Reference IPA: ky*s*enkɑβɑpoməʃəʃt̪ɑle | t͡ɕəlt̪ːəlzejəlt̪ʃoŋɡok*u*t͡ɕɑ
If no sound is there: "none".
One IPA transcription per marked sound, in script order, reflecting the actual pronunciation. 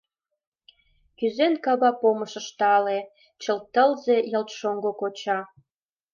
z, o

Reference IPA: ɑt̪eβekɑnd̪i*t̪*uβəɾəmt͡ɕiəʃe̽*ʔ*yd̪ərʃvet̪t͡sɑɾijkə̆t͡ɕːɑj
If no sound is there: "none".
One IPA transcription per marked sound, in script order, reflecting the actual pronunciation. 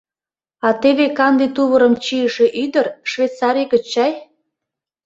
t̪, ʔ

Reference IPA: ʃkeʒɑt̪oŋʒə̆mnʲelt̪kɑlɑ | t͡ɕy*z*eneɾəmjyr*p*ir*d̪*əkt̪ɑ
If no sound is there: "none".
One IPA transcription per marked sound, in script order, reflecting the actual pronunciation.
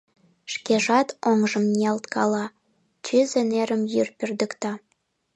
z, p, d̪

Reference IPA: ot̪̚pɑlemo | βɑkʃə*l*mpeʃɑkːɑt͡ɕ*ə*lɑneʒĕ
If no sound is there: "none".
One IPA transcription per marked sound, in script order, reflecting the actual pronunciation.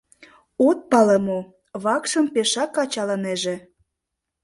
none, ɑ

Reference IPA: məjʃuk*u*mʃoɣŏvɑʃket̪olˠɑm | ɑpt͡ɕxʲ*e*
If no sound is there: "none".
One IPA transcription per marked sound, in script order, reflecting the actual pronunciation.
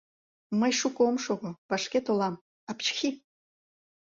o, i

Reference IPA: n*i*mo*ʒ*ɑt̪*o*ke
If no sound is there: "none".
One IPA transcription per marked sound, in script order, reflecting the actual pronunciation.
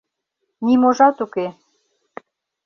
i, ʒ, u

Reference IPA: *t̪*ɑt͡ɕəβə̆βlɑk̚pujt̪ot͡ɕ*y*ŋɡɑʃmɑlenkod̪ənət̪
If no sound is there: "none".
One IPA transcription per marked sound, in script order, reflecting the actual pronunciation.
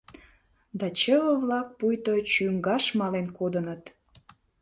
d̪, y

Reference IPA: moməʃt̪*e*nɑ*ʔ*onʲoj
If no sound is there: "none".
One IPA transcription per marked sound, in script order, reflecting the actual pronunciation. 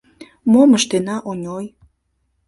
e, ʔ

